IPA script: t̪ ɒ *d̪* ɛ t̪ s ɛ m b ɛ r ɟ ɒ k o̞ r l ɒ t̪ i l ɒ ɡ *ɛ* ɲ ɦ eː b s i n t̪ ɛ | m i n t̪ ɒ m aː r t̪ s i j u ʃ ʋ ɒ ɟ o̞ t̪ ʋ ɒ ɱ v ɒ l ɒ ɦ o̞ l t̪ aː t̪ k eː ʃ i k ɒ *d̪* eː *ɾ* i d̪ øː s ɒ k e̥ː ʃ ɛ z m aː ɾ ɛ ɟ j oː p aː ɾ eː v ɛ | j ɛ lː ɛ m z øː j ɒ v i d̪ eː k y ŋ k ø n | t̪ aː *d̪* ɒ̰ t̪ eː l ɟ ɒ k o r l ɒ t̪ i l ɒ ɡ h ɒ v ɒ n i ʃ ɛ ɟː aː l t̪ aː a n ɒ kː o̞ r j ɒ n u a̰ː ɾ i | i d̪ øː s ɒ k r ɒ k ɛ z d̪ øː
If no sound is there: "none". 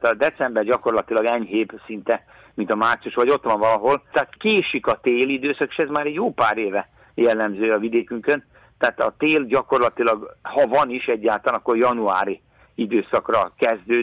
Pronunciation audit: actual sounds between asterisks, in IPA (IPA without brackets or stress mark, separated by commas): d̪, ɛ, t̪, l, t̪